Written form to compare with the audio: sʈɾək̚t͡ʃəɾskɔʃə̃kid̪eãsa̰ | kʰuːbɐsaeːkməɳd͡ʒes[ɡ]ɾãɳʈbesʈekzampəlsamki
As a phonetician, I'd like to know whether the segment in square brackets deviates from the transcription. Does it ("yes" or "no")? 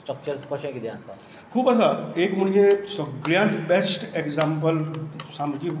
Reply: no